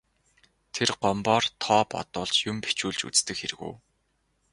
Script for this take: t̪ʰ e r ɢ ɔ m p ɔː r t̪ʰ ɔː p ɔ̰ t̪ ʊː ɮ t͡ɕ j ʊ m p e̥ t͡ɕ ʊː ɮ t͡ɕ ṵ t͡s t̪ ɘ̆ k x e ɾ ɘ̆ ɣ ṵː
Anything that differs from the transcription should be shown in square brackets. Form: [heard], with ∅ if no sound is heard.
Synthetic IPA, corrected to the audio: t̪ʰ e r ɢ ɔ m p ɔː r t̪ʰ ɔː p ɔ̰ t̪ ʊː ɮ t͡ɕ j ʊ m p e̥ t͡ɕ [uː] ɮ t͡ɕ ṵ t͡s t̪ ɘ̆ k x e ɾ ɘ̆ ɣ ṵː

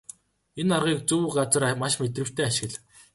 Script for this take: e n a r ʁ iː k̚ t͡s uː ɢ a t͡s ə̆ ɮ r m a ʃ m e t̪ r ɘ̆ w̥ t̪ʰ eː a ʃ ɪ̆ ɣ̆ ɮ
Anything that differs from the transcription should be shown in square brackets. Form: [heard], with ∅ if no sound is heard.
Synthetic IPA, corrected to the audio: e n a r ʁ iː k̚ t͡s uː ɢ a t͡s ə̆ [∅] r m a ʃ m e t̪ r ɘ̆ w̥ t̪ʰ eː a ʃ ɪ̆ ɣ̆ ɮ

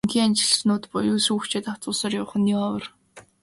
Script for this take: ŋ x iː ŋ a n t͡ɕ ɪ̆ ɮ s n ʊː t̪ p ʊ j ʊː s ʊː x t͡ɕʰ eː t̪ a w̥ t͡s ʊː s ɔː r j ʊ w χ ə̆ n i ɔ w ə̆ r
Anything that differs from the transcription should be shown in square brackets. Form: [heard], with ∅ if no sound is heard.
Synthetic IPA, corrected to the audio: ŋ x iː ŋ a n t͡ɕ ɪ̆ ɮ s n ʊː t̪ p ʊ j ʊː s [uː] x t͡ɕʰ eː t̪ a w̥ t͡s ʊː s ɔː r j ʊ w χ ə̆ n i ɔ w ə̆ r

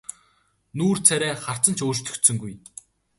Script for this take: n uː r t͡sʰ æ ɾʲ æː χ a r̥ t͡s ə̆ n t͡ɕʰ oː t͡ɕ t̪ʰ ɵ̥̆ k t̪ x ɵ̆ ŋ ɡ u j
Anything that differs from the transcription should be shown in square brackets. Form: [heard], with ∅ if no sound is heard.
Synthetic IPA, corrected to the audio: n uː r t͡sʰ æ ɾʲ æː χ a r̥ t͡s ə̆ n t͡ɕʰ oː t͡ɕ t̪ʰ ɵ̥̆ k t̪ [s] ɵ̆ ŋ ɡ u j

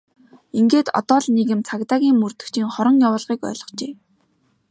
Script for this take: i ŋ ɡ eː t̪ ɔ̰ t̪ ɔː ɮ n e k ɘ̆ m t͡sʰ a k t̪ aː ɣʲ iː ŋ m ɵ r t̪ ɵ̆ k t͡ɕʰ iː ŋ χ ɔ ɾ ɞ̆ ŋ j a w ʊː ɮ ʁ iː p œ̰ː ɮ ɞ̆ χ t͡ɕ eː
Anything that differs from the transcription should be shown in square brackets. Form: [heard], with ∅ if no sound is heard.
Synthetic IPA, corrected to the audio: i ŋ ɡ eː t̪ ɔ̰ t̪ ɔː ɮ n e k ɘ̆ m t͡sʰ a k t̪ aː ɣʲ iː ŋ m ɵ r t̪ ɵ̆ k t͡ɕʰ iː ŋ χ ɔ ɾ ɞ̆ ŋ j a w ʊː ɮ ʁ iː [k] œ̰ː ɮ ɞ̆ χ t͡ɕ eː

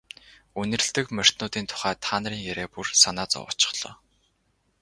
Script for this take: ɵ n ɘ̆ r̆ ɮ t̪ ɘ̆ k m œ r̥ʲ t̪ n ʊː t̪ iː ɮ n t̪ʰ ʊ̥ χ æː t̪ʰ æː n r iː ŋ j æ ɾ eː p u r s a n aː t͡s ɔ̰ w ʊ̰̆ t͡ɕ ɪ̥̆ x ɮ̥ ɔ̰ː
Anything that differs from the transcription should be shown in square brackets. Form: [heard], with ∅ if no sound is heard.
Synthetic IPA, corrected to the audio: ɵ n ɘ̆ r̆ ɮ t̪ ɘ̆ k m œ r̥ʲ t̪ n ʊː t̪ iː [∅] n t̪ʰ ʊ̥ χ æː t̪ʰ [aː] n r iː ŋ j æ ɾ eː p u r s a n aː t͡s ɔ̰ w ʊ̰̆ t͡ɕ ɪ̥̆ [χ] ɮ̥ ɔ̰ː

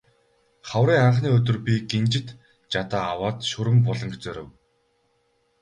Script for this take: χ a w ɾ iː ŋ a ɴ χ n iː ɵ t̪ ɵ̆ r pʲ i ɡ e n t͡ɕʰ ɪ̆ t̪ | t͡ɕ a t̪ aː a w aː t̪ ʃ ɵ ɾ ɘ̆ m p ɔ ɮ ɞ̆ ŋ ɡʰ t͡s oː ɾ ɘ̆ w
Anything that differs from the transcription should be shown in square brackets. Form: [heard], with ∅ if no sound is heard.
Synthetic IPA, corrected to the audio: χ a w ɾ iː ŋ a ɴ χ n iː ɵ t̪ ɵ̆ r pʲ i ɡ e n [t͡ɕ] ɪ̆ t̪ | t͡ɕ a t̪ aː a w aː t̪ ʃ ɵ ɾ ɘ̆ m p ɔ ɮ ɞ̆ ŋ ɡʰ t͡s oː ɾ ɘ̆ w

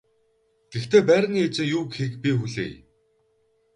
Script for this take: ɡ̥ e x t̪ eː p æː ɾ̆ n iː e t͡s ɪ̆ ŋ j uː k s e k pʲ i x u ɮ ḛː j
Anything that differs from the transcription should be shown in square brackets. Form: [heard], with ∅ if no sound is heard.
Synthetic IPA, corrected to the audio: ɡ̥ e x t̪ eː p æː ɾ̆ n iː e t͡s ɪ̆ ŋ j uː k [x] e k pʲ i x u ɮ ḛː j

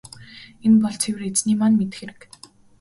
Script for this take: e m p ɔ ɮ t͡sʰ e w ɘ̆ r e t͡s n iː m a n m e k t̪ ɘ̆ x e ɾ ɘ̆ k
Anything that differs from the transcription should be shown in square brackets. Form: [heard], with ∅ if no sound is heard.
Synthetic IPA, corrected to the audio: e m p ɔ ɮ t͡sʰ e w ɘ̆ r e t͡s n iː m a n m e [∅] t̪ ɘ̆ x e ɾ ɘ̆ k

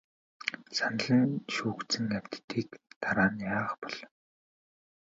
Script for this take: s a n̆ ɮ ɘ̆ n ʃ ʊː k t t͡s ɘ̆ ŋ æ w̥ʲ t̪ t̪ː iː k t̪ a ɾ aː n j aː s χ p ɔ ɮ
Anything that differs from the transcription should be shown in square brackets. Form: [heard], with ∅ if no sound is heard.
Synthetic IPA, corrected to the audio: s a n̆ ɮ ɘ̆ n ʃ [uː] k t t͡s ɘ̆ ŋ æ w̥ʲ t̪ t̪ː iː k t̪ a ɾ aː n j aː [∅] χ p ɔ ɮ

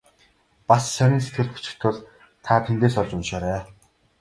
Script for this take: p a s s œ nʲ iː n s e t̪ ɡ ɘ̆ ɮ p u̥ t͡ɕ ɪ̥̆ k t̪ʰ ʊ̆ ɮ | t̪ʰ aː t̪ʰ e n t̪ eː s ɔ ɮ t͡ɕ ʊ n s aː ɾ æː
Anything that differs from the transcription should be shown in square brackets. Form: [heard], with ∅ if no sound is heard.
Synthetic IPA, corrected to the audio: p a s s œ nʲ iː n s e t̪ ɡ ɘ̆ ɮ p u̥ t͡ɕ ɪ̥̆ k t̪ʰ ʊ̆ ɮ | t̪ʰ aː t̪ʰ e n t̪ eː s ɔ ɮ t͡ɕ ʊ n [ʃ] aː ɾ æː

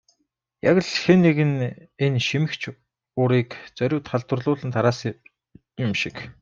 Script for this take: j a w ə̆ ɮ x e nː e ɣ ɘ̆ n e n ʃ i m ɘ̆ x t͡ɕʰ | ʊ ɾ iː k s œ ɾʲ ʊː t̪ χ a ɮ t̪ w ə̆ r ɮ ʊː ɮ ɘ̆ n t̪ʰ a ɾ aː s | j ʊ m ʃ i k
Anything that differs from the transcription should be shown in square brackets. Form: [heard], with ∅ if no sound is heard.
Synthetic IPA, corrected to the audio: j a [ɣ] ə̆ ɮ x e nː e ɣ ɘ̆ n e n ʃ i m ɘ̆ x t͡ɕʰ | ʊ ɾ iː k [t͡s] œ ɾʲ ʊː t̪ χ a ɮ t̪ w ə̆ r ɮ ʊː ɮ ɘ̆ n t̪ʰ a ɾ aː s | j ʊ m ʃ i k

